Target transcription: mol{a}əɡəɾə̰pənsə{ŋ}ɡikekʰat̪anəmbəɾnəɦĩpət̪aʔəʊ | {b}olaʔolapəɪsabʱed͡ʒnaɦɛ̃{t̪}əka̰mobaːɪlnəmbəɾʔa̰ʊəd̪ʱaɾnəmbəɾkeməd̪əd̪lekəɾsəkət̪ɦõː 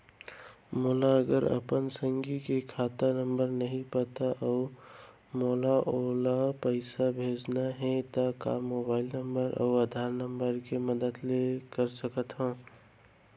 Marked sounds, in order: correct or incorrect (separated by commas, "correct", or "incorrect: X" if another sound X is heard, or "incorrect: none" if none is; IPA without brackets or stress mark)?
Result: correct, correct, incorrect: m, correct